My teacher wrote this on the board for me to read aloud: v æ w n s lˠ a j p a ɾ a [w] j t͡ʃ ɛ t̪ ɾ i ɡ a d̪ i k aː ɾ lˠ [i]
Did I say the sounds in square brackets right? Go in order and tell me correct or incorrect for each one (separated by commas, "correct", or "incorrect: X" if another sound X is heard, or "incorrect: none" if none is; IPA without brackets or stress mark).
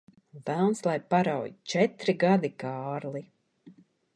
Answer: correct, correct